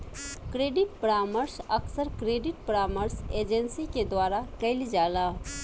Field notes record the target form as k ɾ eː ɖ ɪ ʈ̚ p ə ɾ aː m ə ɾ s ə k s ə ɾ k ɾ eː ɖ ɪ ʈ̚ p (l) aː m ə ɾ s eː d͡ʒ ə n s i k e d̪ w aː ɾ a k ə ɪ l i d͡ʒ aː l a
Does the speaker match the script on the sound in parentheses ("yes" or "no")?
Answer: no